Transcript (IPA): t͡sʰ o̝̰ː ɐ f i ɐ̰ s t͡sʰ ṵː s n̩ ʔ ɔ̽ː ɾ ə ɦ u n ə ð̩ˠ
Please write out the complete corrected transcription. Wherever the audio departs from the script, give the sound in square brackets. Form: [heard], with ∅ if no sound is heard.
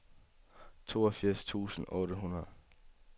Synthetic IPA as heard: t͡sʰ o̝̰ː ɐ f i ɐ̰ s t͡sʰ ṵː s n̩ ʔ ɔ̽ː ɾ ə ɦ u n [ɐ] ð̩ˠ